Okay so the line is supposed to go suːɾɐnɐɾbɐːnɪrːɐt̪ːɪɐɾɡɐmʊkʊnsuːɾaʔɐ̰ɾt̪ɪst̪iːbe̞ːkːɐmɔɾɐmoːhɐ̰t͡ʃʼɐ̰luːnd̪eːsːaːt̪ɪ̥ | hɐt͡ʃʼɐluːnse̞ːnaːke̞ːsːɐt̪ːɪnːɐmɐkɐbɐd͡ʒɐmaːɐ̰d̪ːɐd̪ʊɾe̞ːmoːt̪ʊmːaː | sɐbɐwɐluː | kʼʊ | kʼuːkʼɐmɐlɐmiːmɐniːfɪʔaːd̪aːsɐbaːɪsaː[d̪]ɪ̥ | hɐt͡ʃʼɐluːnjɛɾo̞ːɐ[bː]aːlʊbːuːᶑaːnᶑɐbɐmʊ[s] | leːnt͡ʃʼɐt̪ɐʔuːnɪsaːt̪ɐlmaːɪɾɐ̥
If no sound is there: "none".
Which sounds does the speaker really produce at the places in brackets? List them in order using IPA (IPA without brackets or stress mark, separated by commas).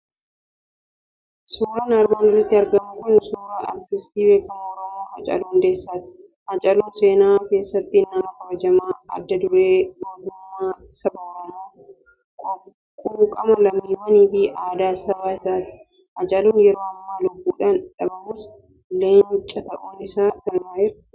t̪, mː, s